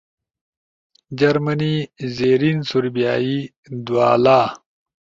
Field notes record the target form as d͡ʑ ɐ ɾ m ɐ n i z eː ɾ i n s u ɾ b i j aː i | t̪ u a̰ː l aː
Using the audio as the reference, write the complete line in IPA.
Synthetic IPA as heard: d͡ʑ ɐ ɾ m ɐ n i z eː ɾ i n s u ɾ b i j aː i | d̪ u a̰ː l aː